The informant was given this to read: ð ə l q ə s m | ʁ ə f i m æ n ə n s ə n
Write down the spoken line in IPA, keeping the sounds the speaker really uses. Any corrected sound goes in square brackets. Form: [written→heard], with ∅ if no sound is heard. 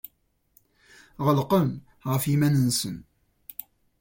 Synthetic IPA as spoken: [ð→ʁ] ə l q ə [s→∅] m | ʁ ə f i m æ n ə n s ə n

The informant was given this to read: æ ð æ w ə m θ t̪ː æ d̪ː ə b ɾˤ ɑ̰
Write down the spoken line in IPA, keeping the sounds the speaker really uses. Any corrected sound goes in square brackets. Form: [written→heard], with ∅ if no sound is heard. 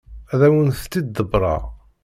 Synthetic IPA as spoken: æ ð æ w ə [m→n] θ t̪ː [æ→i] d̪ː ə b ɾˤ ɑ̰

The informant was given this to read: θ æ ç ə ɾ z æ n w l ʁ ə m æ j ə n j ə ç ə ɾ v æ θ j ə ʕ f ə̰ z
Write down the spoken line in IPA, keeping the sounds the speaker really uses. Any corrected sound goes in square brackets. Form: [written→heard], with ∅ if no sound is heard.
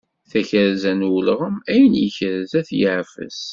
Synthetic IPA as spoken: θ æ ç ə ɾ z æ n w l ʁ ə m æ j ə n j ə ç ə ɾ [v→z] æ θ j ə ʕ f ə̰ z

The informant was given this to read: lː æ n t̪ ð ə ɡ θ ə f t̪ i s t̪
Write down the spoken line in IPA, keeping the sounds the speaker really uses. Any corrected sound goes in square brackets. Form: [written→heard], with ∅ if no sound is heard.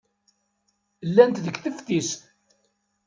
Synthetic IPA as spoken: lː æ n t̪ ð ə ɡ θ ə f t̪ i s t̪

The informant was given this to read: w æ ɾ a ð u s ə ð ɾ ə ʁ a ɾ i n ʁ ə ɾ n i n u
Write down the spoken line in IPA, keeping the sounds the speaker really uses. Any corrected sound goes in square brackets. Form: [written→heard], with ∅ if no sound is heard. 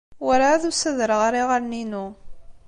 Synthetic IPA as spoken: w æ ɾ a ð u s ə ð ɾ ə ʁ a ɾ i [n→∅] ʁ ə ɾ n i n u

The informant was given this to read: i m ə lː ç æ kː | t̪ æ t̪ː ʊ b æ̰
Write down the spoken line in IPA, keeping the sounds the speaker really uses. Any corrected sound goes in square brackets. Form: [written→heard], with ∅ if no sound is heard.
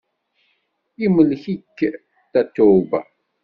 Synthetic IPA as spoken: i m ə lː ç [æ→i] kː | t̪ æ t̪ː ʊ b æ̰

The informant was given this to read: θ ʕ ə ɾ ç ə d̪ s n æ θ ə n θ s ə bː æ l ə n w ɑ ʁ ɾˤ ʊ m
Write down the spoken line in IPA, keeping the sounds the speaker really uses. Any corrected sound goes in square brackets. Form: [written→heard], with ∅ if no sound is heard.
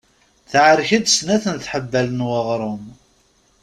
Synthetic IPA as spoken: θ ʕ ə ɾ ç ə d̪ s n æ θ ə n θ [s→ħ] ə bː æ l ə n w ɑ ʁ ɾˤ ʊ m

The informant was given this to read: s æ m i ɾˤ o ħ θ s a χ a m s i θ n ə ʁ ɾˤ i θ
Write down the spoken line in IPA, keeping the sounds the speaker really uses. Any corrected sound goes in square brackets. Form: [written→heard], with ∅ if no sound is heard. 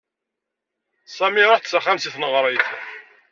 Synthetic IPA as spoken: s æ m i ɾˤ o ħ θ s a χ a m s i θ n ə ʁ ɾˤ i θ

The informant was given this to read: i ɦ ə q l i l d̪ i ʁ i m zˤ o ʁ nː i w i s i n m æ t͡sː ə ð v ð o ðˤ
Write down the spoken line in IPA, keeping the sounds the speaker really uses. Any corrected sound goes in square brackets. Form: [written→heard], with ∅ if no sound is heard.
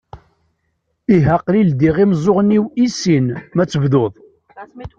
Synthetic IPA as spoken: i ɦ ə q l i l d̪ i ʁ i m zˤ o ʁ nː i w i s i n m æ t͡sː ə [ð→∅] v ð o ðˤ

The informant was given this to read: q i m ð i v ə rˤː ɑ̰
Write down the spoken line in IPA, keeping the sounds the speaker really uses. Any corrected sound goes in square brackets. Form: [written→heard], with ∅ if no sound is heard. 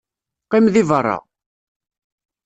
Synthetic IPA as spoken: q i m ð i v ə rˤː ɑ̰

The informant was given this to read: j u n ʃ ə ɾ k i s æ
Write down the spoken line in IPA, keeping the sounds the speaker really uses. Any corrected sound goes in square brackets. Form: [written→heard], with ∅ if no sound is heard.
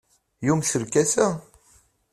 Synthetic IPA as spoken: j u [n→m] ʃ ə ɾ k [i→æ] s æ

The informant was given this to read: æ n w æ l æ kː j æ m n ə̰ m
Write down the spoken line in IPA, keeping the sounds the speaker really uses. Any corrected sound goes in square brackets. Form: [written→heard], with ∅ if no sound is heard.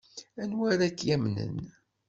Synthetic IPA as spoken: æ n w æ [l→ɾ] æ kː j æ m n ə̰ [m→n]

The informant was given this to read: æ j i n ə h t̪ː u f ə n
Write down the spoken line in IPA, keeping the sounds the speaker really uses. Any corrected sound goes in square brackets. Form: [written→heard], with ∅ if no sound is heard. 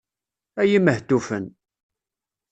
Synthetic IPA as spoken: æ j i [n→m] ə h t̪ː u f ə n

